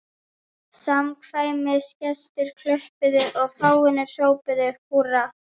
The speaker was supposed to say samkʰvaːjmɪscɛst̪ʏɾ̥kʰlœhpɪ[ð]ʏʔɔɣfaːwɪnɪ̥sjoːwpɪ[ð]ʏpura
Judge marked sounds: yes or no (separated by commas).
yes, yes